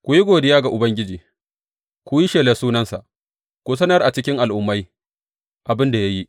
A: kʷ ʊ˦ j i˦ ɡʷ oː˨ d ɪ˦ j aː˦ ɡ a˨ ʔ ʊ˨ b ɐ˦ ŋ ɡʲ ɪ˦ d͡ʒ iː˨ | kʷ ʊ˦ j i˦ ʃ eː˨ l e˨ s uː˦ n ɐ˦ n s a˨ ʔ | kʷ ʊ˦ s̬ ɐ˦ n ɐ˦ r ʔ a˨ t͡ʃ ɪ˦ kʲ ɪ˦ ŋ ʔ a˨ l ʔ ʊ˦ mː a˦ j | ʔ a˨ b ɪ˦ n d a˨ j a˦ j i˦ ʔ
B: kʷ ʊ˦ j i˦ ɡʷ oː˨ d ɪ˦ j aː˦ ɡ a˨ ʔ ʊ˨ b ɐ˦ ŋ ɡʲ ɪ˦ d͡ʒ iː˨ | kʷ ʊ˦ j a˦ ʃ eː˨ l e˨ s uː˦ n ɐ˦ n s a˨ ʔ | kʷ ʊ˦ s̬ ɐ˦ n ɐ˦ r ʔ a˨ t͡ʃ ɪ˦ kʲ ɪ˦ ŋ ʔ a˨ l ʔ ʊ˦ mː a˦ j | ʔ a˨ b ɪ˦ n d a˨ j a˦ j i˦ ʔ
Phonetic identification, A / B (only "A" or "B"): A